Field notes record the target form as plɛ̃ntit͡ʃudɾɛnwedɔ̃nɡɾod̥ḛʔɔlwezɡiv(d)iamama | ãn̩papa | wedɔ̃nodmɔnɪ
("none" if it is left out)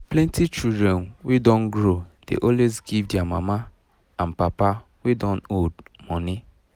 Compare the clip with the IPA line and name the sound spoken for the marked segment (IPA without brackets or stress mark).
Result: d